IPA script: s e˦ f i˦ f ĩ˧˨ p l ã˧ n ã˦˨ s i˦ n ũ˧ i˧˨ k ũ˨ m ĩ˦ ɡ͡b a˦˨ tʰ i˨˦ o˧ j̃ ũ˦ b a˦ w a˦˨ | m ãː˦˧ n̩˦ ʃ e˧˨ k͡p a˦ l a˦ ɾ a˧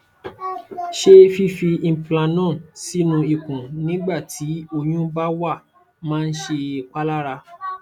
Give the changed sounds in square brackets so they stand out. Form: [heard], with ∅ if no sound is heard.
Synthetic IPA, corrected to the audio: [ʃ] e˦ f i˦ f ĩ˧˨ p l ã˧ n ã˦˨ s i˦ n ũ˧ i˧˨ k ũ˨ [n] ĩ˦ ɡ͡b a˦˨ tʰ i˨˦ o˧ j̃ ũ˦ b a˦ w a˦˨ | m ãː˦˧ n̩˦ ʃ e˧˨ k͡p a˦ l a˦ ɾ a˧